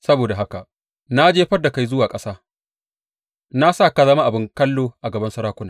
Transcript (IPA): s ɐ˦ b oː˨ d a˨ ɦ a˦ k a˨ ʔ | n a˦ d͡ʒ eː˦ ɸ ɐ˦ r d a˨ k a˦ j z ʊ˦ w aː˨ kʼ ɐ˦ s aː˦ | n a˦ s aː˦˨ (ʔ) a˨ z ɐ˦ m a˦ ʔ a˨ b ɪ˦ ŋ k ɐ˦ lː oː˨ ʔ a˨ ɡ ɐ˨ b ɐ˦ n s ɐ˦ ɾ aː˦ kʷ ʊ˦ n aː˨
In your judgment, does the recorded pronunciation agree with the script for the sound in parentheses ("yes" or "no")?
no